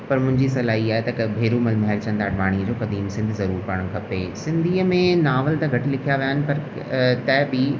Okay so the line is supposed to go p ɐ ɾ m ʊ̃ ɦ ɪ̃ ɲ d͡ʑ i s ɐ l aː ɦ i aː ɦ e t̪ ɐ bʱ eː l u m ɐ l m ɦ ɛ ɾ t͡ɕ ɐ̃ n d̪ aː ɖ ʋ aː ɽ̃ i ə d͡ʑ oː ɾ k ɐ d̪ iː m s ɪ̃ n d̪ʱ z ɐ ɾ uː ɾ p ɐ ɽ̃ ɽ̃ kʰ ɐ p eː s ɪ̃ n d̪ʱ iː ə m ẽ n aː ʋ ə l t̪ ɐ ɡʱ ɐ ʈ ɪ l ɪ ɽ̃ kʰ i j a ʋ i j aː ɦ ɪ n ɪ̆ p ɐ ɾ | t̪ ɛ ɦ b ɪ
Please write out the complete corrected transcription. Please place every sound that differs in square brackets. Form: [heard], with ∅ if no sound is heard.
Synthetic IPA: p ɐ ɾ m ʊ̃ ɦ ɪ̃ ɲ d͡ʑ i s ɐ l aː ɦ i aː ɦ e t̪ ɐ bʱ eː [ɾ] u m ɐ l m ɦ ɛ ɾ t͡ɕ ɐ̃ n d̪ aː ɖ ʋ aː ɽ̃ i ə d͡ʑ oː [∅] k ɐ d̪ iː m s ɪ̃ n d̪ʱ z ɐ ɾ uː ɾ p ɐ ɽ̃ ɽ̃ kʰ ɐ p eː s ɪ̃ n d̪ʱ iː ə m ẽ n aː ʋ ə l t̪ ɐ ɡʱ ɐ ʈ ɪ l ɪ [∅] kʰ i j a ʋ i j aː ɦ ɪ n ɪ̆ p ɐ ɾ | t̪ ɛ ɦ b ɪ

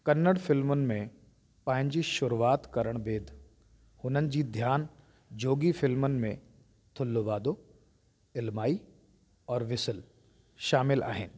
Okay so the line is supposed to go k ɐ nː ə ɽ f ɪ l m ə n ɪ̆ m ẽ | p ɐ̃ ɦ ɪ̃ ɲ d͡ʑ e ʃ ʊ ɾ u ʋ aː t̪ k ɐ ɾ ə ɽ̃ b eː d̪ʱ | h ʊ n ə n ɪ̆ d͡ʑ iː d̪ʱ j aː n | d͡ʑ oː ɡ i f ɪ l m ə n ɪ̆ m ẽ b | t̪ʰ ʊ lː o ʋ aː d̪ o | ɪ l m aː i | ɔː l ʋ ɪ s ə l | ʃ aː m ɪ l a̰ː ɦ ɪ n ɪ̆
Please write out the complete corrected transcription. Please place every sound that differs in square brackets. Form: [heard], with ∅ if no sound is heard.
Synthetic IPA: k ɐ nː ə ɽ f ɪ l m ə n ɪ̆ m ẽ | p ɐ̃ ɦ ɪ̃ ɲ d͡ʑ [i] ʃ ʊ ɾ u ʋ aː t̪ k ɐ ɾ ə ɽ̃ b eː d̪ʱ | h ʊ n ə n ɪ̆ d͡ʑ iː d̪ʱ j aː n | d͡ʑ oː ɡ i f ɪ l m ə n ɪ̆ m ẽ [∅] | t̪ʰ ʊ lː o ʋ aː d̪ o | ɪ l m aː i | ɔː [ɾ] ʋ ɪ s ə l | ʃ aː m ɪ l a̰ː ɦ ɪ n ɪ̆

